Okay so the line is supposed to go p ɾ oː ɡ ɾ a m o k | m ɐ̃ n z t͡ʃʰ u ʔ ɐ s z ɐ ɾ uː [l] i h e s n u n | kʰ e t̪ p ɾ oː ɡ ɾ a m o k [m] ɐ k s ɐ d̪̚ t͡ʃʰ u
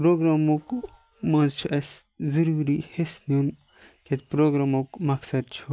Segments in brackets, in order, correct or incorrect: incorrect, correct

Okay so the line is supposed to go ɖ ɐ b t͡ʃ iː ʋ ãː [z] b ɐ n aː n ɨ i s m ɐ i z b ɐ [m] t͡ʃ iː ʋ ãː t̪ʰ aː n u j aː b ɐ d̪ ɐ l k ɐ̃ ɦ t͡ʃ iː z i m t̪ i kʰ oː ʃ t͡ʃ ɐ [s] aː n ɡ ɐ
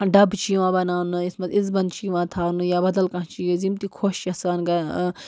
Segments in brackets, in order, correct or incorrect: incorrect, incorrect, correct

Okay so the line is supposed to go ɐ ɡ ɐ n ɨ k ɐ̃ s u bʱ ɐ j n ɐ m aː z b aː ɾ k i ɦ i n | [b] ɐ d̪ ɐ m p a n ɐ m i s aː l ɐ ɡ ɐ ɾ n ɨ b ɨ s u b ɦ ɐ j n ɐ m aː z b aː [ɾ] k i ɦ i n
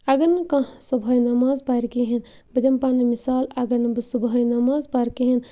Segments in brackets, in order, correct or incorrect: correct, correct

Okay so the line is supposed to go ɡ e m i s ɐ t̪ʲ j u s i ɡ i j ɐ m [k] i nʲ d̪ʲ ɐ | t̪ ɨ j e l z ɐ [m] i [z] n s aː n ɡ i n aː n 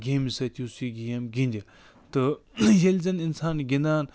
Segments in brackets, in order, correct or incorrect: incorrect, incorrect, incorrect

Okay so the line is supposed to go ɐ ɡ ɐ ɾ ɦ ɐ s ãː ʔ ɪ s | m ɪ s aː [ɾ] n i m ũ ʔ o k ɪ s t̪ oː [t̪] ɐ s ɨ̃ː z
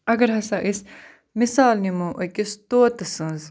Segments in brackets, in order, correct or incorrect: incorrect, correct

